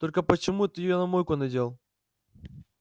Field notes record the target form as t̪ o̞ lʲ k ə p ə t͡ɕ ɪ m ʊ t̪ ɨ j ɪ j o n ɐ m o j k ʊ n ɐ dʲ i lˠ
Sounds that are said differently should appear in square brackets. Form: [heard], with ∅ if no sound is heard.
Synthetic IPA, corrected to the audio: t̪ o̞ lʲ k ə p ə t͡ɕ ɪ m [u] t̪ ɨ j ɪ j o n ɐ m o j k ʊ n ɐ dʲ [e] lˠ